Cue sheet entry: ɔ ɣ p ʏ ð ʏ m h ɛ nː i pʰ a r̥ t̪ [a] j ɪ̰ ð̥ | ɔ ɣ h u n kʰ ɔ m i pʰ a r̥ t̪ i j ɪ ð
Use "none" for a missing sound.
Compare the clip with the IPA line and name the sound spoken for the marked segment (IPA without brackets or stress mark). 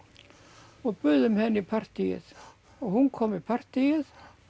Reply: i